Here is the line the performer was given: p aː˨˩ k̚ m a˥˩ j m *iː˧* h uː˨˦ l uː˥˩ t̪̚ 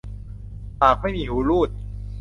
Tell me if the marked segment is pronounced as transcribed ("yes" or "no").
yes